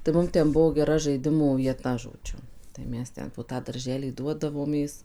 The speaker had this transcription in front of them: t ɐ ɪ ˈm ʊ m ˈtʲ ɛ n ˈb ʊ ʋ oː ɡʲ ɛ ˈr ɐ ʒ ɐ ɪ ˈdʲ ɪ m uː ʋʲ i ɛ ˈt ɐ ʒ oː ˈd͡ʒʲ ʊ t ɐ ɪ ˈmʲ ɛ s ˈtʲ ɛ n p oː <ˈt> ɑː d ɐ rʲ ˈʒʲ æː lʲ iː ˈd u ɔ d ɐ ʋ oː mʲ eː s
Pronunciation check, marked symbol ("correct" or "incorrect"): correct